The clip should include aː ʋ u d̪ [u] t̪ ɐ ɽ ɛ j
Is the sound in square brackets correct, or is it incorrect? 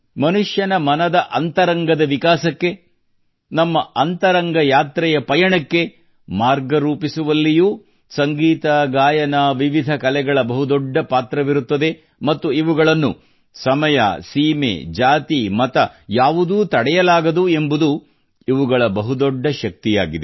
incorrect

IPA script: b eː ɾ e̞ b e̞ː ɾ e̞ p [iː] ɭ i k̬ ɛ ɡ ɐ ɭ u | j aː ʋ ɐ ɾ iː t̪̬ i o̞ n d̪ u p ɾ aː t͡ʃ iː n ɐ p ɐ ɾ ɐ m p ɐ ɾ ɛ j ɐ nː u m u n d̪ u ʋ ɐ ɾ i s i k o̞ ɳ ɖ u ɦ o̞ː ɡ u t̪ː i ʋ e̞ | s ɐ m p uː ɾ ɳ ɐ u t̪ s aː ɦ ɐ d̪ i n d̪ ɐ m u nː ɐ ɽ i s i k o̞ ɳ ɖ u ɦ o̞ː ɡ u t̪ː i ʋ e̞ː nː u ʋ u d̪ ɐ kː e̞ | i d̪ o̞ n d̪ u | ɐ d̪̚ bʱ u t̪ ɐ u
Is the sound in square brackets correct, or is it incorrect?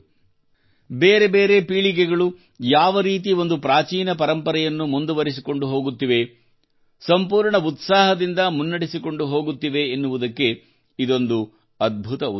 correct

